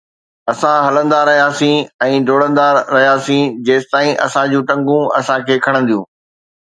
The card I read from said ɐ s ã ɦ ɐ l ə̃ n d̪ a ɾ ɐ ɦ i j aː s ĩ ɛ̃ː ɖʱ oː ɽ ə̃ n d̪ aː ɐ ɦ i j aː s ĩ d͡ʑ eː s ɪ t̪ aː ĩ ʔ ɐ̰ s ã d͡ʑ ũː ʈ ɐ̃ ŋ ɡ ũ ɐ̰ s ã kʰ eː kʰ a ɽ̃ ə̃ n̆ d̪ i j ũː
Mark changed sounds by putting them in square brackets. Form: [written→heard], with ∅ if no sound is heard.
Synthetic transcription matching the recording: ɐ s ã ɦ ɐ l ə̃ n d̪ a ɾ ɐ ɦ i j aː s ĩ ɛ̃ː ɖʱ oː ɽ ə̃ n d̪ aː ɐ ɦ i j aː s ĩ d͡ʑ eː s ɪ t̪ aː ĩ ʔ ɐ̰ s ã d͡ʑ ũː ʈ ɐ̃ ŋ ɡ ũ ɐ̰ s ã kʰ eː kʰ [a→ɐ] ɽ̃ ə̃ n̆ d̪ i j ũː